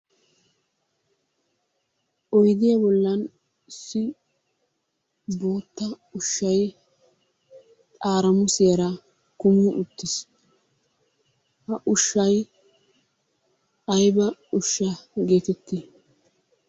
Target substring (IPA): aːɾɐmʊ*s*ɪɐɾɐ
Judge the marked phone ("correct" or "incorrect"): correct